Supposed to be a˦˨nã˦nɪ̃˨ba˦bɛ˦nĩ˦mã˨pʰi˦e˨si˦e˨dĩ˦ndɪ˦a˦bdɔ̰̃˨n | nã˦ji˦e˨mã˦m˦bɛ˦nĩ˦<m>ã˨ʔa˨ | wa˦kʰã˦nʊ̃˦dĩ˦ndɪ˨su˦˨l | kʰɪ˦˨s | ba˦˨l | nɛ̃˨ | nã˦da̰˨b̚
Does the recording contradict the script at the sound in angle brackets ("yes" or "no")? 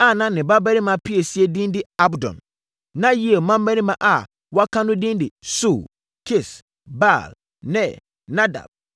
no